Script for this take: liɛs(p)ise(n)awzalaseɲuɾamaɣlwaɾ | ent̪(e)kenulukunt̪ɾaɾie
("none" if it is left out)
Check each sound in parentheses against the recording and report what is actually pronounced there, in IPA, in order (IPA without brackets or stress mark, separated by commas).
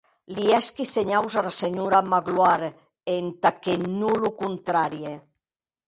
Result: k, ɲ, a